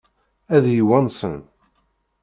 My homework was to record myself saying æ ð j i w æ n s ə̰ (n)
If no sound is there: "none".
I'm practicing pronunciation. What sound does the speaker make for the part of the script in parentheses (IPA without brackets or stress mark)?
n